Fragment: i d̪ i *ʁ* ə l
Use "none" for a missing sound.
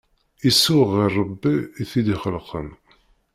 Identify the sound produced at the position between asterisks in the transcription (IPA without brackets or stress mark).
χ